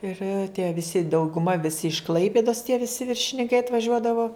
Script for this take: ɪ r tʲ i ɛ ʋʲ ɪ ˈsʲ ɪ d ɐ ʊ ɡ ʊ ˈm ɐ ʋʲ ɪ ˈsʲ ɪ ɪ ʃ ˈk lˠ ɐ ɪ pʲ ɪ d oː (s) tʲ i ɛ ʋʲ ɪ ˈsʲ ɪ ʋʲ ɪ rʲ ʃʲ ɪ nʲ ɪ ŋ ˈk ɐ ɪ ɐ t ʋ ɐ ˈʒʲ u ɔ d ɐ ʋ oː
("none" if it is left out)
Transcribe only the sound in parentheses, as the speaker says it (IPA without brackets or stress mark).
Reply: s